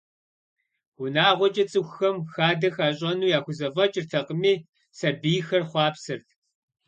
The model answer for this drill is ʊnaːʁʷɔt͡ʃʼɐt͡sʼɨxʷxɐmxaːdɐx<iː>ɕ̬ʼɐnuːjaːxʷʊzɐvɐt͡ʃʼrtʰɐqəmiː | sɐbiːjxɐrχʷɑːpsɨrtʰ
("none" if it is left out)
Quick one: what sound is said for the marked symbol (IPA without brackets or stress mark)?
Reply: aː